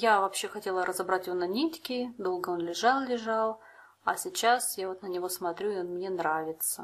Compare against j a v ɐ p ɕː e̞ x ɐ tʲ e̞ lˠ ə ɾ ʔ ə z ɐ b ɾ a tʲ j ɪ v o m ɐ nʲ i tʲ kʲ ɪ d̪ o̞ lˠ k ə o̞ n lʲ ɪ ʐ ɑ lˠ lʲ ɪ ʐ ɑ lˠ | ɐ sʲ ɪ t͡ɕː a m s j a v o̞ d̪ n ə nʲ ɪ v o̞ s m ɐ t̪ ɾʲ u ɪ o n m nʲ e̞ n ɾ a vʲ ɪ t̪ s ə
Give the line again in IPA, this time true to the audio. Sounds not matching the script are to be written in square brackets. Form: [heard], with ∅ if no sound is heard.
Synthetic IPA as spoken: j a v ɐ p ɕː e̞ x ɐ tʲ e̞ lˠ ə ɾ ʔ ə z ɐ b ɾ a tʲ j ɪ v o [n] ɐ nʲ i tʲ kʲ ɪ d̪ o̞ lˠ [ɡ] ə o̞ n lʲ ɪ ʐ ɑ lˠ lʲ ɪ ʐ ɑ lˠ | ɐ sʲ ɪ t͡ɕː a [∅] s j a v o̞ [t̪] n ə nʲ ɪ v o̞ s m ɐ t̪ ɾʲ u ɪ o n m nʲ e̞ n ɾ a vʲ ɪ t̪ s ə